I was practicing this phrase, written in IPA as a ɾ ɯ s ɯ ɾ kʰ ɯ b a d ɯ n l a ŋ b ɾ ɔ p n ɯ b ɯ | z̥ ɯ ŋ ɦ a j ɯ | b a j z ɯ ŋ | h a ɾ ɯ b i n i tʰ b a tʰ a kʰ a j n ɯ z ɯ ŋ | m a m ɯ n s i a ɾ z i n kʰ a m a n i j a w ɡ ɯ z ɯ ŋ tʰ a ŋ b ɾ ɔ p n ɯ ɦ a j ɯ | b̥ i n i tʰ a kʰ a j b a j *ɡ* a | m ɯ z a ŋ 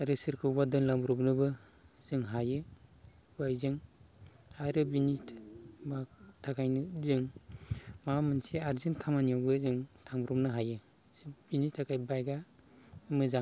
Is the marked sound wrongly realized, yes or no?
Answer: no